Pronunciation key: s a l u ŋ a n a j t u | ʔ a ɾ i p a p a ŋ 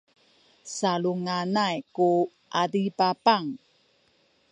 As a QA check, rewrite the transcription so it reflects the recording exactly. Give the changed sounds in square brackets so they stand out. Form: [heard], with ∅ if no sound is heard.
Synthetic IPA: s a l u ŋ a n a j [k] u | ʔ a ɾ i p a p a ŋ